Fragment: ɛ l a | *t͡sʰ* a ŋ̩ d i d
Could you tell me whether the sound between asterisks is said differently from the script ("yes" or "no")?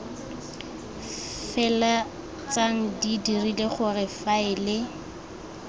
yes